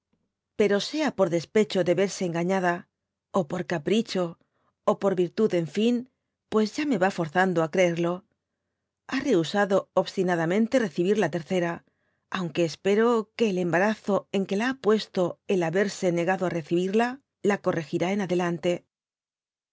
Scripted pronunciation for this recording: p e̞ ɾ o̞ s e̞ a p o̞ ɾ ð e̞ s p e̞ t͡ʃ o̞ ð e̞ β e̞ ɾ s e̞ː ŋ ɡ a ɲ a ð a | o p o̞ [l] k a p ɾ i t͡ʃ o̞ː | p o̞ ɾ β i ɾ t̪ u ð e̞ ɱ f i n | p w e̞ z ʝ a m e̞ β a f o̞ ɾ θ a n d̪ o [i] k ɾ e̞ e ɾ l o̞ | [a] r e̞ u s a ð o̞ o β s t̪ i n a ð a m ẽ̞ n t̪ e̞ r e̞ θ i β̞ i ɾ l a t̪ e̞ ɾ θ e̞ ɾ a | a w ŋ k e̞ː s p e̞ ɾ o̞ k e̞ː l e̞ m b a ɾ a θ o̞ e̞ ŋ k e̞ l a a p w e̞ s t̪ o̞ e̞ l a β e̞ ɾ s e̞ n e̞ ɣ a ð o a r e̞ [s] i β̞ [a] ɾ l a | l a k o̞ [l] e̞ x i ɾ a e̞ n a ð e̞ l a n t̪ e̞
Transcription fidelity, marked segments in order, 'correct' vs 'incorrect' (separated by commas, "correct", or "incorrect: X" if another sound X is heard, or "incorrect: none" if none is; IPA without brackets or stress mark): incorrect: ɾ, incorrect: a, correct, incorrect: θ, incorrect: i, incorrect: r